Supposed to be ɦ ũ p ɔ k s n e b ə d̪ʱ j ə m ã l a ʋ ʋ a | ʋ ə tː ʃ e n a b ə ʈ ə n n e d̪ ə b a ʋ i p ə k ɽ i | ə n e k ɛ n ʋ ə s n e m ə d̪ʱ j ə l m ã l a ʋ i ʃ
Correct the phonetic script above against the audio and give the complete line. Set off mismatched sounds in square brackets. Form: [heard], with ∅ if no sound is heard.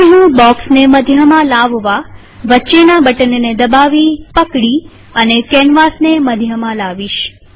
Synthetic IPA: ɦ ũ [b] ɔ k s n e [m] ə d̪ʱ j ə m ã l a ʋ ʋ a | ʋ ə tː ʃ e n a b ə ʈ ə n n e d̪ ə b a ʋ i p ə k ɽ i | ə n e k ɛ n ʋ [a] s n e m ə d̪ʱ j ə [∅] m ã l a ʋ i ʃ